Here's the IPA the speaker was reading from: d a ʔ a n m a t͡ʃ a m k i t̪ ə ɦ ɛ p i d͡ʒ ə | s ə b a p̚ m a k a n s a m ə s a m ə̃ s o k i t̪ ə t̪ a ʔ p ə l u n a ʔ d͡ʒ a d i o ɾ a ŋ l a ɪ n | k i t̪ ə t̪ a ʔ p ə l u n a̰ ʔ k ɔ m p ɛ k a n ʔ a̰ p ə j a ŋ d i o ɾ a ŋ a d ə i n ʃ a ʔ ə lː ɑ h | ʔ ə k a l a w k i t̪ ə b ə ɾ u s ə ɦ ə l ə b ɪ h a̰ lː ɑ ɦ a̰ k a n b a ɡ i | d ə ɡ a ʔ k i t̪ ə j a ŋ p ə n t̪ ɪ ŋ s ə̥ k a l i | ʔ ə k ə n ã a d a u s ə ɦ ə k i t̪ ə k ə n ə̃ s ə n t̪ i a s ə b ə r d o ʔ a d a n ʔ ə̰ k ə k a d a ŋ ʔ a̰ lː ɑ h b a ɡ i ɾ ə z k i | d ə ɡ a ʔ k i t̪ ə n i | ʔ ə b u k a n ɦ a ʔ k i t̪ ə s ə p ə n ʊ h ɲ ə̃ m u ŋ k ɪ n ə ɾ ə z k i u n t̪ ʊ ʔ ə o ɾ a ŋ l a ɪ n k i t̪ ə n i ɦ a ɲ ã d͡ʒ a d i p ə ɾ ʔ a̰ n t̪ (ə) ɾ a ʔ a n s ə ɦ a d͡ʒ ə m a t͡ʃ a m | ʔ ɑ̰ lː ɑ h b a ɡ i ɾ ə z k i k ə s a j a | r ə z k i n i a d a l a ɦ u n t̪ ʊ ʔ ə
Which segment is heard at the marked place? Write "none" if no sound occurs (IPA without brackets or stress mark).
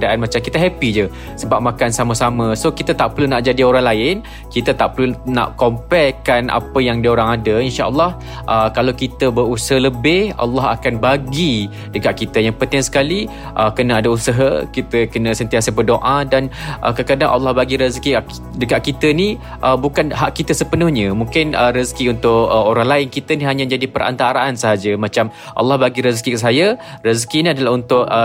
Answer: a